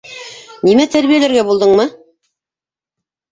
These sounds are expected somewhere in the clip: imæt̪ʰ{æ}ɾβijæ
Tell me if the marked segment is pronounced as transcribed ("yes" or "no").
yes